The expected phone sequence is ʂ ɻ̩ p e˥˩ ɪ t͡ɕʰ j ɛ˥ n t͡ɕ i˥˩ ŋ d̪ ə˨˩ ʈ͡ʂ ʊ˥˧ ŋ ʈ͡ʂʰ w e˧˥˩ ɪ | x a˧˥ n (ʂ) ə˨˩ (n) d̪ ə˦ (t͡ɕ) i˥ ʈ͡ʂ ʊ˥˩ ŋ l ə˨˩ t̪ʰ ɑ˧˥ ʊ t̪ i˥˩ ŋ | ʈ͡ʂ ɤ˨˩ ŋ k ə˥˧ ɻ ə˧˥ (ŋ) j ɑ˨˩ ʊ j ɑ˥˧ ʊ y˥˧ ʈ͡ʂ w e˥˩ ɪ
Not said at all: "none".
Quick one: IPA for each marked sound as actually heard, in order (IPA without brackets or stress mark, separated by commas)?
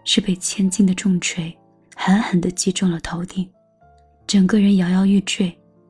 x, n, t͡ɕ, n